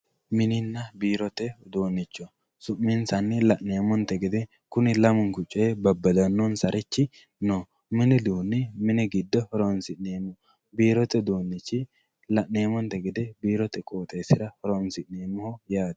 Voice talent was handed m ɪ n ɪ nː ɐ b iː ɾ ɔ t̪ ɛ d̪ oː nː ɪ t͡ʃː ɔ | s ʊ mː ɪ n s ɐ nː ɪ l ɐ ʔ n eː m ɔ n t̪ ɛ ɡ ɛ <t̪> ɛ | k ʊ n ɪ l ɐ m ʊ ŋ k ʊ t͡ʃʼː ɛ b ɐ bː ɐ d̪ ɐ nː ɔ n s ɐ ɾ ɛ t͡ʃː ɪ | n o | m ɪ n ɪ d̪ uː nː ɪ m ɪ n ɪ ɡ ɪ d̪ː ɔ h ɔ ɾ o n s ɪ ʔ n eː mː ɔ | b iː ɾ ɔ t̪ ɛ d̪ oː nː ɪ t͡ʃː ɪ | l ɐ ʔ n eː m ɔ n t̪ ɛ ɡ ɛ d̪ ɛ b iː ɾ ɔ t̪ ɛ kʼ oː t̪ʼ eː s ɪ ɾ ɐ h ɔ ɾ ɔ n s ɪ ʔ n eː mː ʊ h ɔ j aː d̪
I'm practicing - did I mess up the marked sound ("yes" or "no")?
yes